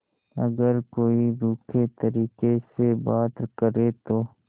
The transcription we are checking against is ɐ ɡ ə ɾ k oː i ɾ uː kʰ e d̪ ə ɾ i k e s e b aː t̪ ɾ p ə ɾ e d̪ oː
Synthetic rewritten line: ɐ ɡ ə ɾ k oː i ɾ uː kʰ e t̪ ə ɾ iː k e s e b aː t̪ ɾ k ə ɾ e t̪ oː